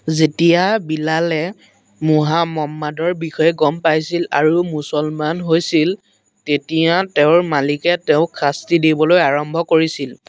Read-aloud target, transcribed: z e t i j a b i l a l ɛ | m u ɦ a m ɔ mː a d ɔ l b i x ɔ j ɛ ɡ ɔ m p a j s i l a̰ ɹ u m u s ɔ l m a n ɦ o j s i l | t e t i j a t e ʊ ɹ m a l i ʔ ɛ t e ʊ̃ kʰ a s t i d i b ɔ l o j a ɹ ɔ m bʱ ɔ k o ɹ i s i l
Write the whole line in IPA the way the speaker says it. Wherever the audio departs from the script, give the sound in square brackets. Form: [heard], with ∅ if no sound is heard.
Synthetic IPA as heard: z e t i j a b i l a l ɛ | m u ɦ a m ɔ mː a d ɔ [ɹ] b i x ɔ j ɛ ɡ ɔ m p a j s i l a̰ ɹ u m u s ɔ l m a n ɦ o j s i l | t e t i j a t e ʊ ɹ m a l i [k] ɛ t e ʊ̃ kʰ a s t i d i b ɔ l o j a ɹ ɔ m bʱ ɔ k o ɹ i s i l